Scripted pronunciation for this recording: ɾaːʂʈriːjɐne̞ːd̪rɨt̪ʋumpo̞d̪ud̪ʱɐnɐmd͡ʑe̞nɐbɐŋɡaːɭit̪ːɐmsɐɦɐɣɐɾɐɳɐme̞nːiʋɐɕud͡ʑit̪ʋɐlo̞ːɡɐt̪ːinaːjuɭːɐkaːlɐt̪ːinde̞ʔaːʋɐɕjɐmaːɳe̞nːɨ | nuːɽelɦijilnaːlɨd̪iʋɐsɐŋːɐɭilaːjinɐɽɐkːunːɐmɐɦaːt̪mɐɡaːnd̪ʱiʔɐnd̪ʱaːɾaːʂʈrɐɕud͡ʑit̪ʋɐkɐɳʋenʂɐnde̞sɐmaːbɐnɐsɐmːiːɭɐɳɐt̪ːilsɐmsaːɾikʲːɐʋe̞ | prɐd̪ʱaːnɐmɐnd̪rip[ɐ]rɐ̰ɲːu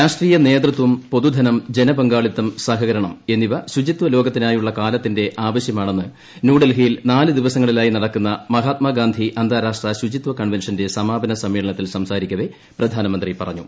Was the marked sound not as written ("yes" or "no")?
no